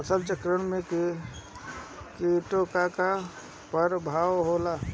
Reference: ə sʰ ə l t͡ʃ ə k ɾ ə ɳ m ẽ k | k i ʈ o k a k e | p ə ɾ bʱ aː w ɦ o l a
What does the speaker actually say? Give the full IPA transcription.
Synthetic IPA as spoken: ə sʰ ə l t͡ʃ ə k ɾ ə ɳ m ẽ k | k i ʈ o k a k a | p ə ɾ bʱ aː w ɦ o l a